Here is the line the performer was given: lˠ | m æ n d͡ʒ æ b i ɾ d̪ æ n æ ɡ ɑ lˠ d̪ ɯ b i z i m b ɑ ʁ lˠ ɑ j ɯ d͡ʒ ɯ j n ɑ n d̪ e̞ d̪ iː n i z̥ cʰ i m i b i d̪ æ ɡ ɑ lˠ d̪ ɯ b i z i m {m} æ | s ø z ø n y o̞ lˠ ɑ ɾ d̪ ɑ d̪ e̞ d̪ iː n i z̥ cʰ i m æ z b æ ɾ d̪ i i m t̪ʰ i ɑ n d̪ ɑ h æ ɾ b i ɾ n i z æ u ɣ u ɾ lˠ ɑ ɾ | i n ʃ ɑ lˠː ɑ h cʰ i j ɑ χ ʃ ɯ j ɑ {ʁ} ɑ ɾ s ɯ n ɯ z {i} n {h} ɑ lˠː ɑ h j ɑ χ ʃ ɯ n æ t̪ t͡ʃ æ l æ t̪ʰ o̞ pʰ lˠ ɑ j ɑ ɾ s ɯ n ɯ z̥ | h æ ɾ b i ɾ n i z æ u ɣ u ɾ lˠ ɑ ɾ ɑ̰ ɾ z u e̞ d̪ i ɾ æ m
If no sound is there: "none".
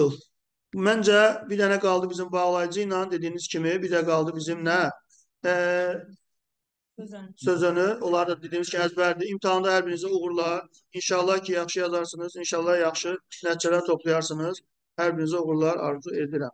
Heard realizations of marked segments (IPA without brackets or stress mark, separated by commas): n, z, i, ʃ